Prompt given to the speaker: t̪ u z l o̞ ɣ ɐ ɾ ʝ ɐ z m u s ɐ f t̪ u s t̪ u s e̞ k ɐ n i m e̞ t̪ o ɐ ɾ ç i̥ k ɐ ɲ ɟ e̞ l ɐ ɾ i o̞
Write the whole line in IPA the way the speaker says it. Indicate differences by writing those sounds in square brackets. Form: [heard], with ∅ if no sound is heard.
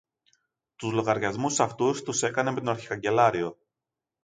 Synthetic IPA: t̪ u z l o̞ ɣ ɐ ɾ ʝ ɐ z m u s ɐ f t̪ u s t̪ u s e̞ k ɐ n [e] m e̞ t̪ o ɐ ɾ ç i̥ k ɐ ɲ ɟ e̞ l ɐ ɾ i o̞